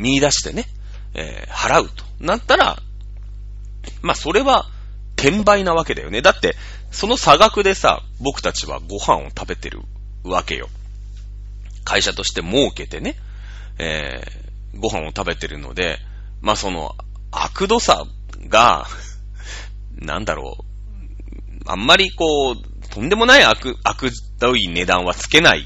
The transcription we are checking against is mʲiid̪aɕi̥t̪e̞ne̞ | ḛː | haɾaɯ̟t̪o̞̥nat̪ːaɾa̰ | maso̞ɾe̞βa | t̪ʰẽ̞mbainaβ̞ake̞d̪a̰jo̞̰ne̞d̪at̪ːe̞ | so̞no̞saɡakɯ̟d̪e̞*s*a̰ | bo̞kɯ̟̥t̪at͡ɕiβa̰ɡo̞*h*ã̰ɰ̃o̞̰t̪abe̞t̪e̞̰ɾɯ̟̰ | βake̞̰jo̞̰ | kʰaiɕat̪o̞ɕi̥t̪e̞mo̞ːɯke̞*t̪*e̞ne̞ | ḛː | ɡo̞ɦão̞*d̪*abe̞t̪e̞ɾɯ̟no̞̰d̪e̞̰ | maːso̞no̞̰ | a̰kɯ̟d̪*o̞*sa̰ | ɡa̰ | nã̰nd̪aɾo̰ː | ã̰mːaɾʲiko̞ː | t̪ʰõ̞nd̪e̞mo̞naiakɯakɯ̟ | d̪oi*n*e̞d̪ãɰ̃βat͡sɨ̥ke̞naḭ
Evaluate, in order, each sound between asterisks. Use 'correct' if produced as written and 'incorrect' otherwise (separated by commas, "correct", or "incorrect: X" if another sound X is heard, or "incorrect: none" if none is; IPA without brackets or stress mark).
correct, correct, correct, incorrect: t̪, correct, correct